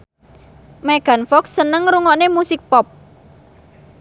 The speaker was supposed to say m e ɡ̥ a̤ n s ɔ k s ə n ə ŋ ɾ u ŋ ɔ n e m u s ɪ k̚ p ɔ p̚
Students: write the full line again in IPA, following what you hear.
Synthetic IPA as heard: m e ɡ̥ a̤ n f ɔ k s ə n ə ŋ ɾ u ŋ ɔ n e m u s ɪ k̚ p ɔ p̚